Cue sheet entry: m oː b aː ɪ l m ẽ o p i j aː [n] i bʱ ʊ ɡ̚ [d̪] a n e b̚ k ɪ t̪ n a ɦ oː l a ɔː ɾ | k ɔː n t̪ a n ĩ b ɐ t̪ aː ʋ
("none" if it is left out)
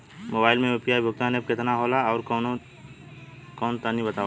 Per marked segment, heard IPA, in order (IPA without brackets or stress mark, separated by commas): none, t̪